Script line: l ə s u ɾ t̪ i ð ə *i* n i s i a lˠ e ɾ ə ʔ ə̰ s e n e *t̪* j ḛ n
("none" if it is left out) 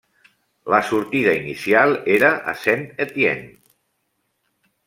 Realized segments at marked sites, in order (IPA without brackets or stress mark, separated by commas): i, t̪